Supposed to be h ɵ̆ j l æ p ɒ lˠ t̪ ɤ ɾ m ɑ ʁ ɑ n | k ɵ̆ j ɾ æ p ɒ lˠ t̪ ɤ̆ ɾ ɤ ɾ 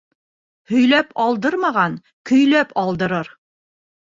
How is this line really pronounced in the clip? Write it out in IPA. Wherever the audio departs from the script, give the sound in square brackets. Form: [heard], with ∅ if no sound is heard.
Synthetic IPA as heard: h ɵ̆ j l æ p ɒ lˠ [d̪] ɤ ɾ m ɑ ʁ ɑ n | k ɵ̆ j [l] æ p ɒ lˠ [d̪] ɤ̆ ɾ ɤ ɾ